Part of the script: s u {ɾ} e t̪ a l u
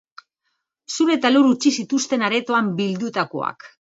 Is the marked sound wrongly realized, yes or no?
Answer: no